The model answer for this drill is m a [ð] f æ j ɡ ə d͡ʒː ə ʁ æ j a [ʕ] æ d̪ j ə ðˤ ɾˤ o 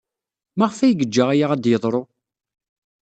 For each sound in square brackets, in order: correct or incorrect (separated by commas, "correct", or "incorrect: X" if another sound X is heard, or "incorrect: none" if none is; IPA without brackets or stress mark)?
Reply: incorrect: ʁ, incorrect: ʁ